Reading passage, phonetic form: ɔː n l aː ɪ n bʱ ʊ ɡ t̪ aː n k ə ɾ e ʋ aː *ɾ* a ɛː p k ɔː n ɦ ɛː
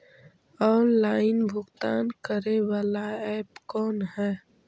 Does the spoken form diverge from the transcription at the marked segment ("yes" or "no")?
yes